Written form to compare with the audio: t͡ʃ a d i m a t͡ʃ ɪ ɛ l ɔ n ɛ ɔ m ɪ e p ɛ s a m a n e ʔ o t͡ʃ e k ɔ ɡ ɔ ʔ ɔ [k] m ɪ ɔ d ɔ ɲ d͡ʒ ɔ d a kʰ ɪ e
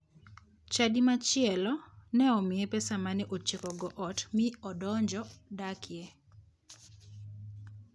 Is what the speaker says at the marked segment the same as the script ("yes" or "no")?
no